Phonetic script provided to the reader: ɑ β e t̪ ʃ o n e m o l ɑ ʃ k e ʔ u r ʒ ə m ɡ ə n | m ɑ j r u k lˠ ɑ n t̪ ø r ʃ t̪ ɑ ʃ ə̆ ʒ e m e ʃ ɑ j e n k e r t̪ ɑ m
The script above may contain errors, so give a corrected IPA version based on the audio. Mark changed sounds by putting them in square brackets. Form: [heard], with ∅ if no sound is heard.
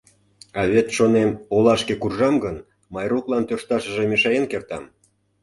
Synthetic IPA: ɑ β e t̪ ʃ o n e m o l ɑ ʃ k e [k] u r ʒ [ɑ] m ɡ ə n | m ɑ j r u k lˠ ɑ n t̪ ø r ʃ t̪ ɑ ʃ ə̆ ʒ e m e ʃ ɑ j e n k e r t̪ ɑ m